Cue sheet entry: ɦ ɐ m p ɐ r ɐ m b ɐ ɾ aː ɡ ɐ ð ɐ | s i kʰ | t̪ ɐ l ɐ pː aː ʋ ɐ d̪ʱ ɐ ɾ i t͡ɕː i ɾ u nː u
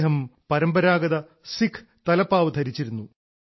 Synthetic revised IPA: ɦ ɐ m p ɐ ɾ ɐ m b ɐ ɾ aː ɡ ɐ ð ɐ | s i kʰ | t̪ ɐ l ɐ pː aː ʋ ɐ d̪ʱ ɐ ɾ i t͡ɕː i ɾ u nː u